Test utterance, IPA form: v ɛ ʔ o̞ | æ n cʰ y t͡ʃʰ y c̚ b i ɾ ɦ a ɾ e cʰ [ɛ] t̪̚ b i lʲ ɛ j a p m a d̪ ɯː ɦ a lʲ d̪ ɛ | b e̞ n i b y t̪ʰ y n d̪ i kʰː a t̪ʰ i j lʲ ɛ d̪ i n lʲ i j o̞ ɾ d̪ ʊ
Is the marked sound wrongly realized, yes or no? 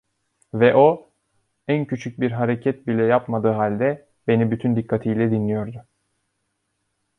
no